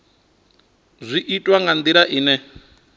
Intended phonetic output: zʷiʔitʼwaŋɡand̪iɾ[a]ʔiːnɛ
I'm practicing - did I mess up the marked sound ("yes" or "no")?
no